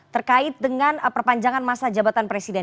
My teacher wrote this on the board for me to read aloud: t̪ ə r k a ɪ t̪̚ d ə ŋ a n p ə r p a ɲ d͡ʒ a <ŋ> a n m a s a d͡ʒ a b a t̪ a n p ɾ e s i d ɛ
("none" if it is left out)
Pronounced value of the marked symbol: ŋ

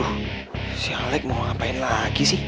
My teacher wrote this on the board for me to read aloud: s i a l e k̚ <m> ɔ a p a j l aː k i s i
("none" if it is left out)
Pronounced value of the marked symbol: m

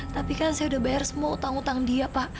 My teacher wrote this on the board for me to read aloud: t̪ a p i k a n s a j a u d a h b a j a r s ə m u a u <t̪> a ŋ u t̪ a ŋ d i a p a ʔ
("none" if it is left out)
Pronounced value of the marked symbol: t̪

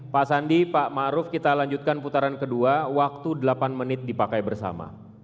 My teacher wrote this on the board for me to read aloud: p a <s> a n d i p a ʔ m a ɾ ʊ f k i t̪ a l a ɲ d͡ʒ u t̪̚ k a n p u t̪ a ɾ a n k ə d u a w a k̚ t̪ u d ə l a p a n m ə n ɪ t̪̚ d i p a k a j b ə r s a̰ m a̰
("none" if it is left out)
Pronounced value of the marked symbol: s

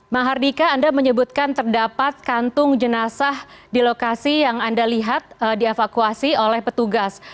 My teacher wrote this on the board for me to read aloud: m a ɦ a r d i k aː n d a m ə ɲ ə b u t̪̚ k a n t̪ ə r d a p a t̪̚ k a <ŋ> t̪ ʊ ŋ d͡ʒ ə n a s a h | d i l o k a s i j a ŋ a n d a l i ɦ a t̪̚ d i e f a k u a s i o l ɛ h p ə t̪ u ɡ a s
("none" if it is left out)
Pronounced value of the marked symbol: n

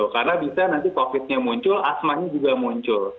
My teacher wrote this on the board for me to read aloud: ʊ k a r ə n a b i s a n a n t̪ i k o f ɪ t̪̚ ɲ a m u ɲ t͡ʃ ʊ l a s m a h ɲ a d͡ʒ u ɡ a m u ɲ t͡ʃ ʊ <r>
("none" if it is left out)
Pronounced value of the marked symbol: l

